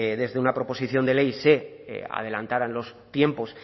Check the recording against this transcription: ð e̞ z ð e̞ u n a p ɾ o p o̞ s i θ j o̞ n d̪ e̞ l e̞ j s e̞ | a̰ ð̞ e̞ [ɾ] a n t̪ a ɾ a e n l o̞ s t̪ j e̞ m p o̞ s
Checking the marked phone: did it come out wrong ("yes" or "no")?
yes